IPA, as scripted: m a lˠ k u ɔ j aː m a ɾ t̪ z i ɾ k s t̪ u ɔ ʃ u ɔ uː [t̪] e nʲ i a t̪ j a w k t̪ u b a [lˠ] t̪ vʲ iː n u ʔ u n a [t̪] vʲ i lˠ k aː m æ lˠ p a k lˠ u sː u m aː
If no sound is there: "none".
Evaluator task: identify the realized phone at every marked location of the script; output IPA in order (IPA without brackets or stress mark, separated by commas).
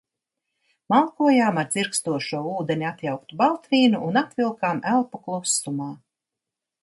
d̪, lˠ, t̪